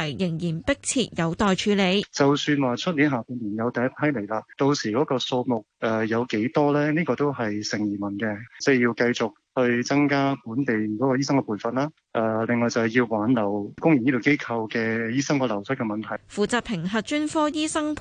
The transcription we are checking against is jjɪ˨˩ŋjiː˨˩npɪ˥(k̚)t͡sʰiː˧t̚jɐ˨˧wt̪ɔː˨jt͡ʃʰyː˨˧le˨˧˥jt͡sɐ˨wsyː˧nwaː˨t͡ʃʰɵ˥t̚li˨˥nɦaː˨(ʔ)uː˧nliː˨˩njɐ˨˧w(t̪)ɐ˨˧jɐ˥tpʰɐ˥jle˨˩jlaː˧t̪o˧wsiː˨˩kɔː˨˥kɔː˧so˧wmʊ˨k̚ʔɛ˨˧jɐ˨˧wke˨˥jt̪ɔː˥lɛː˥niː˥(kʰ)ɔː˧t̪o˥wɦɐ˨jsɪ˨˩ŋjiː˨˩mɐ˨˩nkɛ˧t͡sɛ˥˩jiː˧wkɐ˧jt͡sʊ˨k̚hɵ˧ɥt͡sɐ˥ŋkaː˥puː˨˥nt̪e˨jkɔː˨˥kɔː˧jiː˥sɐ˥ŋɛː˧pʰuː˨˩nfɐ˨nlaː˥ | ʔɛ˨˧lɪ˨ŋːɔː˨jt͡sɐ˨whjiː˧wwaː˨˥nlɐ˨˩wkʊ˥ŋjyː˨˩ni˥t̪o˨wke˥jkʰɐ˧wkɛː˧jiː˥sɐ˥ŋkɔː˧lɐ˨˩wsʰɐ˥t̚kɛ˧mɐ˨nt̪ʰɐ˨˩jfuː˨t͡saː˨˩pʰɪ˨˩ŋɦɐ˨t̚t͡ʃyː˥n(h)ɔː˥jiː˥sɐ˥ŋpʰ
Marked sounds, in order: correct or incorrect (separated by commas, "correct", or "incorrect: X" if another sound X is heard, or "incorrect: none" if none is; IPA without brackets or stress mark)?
correct, incorrect: p, correct, incorrect: k, incorrect: f